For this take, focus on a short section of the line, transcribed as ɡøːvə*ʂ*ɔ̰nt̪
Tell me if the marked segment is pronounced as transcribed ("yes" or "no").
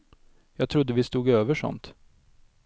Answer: yes